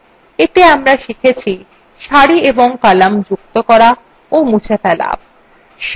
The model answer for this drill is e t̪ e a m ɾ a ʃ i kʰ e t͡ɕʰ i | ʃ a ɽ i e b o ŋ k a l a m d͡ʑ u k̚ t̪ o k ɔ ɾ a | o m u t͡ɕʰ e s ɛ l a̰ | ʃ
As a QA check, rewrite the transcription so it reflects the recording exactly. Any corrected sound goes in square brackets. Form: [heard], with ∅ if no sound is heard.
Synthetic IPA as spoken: e t̪ e a m ɾ a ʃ i kʰ e t͡ɕʰ i | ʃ a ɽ i e b o ŋ k a l a m d͡ʑ u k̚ t̪ o k ɔ ɾ a | o m u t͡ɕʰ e [f] ɛ l a̰ | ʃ